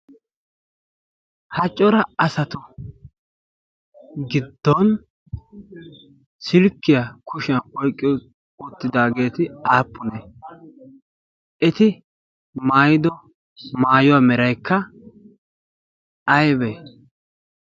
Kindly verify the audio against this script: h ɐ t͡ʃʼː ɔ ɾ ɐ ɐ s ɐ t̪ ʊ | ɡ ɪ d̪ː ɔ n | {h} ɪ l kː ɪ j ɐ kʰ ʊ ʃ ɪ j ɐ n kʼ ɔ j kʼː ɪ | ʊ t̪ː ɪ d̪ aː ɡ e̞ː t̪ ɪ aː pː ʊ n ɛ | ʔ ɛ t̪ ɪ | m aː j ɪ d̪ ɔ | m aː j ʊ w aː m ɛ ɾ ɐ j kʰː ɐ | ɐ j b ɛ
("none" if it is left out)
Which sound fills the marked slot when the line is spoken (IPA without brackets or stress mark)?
s